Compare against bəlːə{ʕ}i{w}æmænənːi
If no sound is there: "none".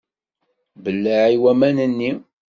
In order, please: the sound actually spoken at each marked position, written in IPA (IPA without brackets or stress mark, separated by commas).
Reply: ʕ, w